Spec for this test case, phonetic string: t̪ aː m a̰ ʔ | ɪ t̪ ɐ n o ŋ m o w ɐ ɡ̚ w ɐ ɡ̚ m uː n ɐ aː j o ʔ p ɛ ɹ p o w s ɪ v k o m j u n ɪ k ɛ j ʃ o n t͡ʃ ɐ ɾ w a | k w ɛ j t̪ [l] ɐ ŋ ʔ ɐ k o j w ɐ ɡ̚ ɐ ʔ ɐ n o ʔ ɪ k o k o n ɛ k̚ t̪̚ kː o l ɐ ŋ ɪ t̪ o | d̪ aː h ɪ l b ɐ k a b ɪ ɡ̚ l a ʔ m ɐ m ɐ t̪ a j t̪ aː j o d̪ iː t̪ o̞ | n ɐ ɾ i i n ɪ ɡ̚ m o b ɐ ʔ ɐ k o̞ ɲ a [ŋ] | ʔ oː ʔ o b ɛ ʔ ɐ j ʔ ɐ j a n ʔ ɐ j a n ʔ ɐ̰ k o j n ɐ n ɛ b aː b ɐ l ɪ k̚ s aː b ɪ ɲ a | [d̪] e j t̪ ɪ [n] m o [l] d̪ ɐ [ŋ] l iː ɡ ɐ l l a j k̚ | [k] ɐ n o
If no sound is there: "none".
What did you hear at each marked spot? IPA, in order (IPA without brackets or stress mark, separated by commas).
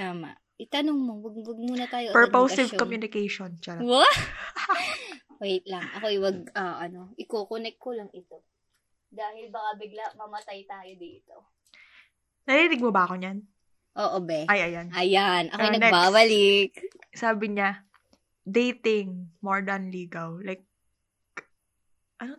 l, n, d̪, ŋ, ɹ, n, ʔ